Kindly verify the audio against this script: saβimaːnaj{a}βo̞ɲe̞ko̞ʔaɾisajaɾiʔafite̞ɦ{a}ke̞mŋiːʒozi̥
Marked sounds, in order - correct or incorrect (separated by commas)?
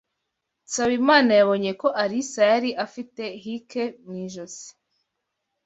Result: correct, incorrect